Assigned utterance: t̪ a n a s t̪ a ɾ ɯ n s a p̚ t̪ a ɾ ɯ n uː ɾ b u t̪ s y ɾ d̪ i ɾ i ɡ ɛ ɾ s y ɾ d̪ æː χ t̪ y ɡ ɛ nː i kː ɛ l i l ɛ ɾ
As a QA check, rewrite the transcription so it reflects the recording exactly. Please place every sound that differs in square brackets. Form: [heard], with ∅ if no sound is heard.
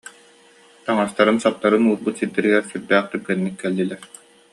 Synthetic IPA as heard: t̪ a [ŋ] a s t̪ a ɾ ɯ n s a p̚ t̪ a ɾ ɯ n uː ɾ b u t̪ s [i] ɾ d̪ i ɾ i ɡ ɛ ɾ s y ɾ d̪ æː χ t̪ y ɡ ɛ nː i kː ɛ [lː] i l ɛ ɾ

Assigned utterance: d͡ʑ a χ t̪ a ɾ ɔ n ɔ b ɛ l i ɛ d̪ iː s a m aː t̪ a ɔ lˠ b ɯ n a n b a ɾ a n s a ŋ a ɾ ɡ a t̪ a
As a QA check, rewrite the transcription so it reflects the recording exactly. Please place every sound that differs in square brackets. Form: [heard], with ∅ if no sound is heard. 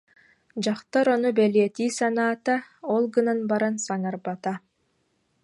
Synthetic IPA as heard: d͡ʑ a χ t̪ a ɾ ɔ n [u] b ɛ l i ɛ [t̪] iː s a [n] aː t̪ a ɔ lˠ [ɡ] ɯ n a n b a ɾ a n s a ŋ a ɾ [b] a t̪ a

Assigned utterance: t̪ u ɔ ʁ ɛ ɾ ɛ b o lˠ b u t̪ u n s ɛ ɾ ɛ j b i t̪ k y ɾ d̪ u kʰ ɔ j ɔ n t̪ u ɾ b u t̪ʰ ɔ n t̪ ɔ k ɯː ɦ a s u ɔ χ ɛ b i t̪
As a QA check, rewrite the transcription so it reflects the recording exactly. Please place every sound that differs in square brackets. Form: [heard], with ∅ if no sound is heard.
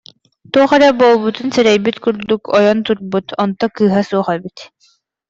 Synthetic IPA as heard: t̪ u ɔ [χ] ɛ ɾ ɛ b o lˠ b u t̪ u n s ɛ ɾ ɛ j b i t̪ k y ɾ d̪ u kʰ ɔ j ɔ n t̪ u ɾ b u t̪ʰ ɔ n t̪ ɔ k ɯː ɦ a s u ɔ χ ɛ b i t̪

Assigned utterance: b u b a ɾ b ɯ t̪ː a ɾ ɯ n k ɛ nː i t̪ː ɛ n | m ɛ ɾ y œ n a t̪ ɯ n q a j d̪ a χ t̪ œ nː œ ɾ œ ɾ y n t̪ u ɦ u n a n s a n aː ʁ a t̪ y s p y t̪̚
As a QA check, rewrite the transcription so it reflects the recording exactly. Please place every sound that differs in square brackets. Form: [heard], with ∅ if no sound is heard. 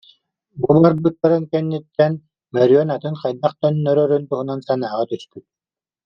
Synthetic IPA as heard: b u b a ɾ b ɯ t̪ː a ɾ ɯ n k ɛ nː i t̪ː ɛ n | m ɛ ɾ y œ n a t̪ ɯ n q a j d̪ a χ t̪ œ nː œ ɾ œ ɾ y n t̪ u ɦ u n a n s a n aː ʁ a t̪ y s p y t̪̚

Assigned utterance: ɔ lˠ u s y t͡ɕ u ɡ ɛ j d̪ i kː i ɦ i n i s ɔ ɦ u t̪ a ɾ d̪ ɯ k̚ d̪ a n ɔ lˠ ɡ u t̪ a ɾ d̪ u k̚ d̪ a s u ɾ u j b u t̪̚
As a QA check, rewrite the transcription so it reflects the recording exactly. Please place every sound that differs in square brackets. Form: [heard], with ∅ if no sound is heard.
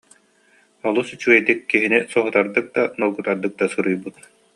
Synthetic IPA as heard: ɔ lˠ u s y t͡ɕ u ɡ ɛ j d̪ i kː i ɦ i n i s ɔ ɦ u t̪ a ɾ d̪ ɯ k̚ d̪ a n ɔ lˠ ɡ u t̪ a ɾ d̪ [ɯ] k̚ d̪ a s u ɾ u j b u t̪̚

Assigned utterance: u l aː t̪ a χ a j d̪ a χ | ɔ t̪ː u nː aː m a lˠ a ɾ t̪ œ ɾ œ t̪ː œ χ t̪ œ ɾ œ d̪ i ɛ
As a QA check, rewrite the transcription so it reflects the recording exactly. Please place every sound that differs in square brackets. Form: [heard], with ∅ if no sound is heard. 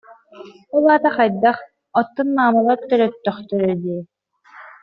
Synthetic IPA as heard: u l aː t̪ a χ a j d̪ a χ | ɔ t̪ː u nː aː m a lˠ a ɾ t̪ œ ɾ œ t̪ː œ χ t̪ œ ɾ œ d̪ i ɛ

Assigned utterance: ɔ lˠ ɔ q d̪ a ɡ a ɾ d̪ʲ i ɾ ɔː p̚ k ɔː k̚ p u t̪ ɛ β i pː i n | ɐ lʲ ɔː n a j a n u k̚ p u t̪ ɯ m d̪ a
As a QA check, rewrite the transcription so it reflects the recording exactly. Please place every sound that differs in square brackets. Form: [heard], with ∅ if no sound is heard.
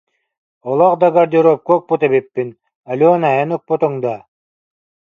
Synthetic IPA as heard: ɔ lˠ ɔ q d̪ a ɡ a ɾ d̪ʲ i ɾ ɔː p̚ k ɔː k̚ p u t̪ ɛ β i pː i n | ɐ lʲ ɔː n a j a n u k̚ p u t̪ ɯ [ŋ] d̪ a

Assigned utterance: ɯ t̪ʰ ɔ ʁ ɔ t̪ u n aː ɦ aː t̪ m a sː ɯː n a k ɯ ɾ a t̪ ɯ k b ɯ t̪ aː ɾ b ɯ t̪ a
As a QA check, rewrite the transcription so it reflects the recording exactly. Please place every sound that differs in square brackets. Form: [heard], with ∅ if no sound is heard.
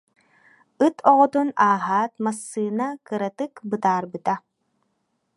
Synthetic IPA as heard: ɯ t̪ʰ ɔ ʁ ɔ t̪ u n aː ɦ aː t̪ m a sː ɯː n a k ɯ ɾ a t̪ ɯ k b ɯ t̪ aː ɾ b ɯ t̪ a

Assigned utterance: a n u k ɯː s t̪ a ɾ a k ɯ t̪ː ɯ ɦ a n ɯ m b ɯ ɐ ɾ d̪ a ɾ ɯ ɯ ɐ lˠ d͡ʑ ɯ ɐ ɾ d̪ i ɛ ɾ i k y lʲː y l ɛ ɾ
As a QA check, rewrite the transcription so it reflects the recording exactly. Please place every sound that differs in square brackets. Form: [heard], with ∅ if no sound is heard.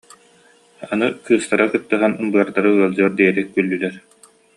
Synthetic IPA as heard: a n [ɯ] k ɯː s t̪ a ɾ a k ɯ t̪ː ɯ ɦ a n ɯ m b ɯ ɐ ɾ d̪ a ɾ ɯ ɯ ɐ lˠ d͡ʑ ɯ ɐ ɾ d̪ i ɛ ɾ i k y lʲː y l ɛ ɾ

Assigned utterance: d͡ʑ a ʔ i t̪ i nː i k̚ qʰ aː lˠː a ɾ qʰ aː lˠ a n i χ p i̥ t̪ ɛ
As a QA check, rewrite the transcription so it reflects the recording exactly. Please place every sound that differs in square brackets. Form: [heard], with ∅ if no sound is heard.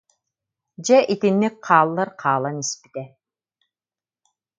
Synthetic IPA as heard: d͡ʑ [ɛ] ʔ i t̪ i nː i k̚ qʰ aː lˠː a ɾ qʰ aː lˠ a n i [s] p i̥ t̪ ɛ

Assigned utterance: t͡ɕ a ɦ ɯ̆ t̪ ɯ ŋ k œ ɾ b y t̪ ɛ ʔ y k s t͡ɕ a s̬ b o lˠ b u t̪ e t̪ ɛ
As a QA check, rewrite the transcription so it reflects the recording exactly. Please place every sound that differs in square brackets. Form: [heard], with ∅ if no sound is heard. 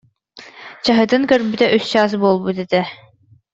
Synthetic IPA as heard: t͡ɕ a ɦ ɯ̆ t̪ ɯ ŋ k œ ɾ b y t̪ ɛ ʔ y [∅] s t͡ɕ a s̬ b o lˠ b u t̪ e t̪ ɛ

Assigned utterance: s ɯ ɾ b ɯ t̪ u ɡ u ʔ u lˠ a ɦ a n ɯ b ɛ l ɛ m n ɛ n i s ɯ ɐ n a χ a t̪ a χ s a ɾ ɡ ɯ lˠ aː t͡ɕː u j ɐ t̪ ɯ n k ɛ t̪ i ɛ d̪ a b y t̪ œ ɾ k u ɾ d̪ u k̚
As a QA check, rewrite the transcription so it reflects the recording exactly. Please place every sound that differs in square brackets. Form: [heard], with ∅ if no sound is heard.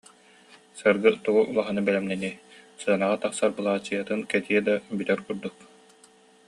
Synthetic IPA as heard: s ɯ ɾ [ɡ] ɯ t̪ u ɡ u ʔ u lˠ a ɦ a n ɯ b ɛ l ɛ m n ɛ n i s ɯ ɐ n a [ʁ] a t̪ a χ s a ɾ [b] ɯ lˠ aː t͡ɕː [ɯ] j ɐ t̪ ɯ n k ɛ t̪ i ɛ d̪ a b y t̪ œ ɾ k u ɾ d̪ u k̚

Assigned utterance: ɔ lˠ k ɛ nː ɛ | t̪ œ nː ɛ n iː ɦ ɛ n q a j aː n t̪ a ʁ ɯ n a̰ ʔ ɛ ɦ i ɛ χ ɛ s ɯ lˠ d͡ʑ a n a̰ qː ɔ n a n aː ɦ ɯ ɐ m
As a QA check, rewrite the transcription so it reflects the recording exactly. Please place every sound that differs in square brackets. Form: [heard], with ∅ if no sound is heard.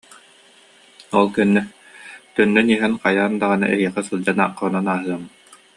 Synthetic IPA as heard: ɔ lˠ k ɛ nː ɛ | t̪ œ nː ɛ n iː ɦ ɛ n q a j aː n [d̪] a ʁ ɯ n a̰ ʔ ɛ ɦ i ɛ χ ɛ s ɯ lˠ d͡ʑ a n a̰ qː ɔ n a n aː ɦ ɯ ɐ m

